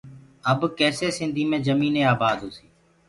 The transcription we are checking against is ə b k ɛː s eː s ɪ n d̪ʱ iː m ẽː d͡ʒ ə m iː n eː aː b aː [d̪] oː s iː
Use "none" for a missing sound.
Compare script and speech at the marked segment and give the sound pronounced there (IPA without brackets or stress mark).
d̪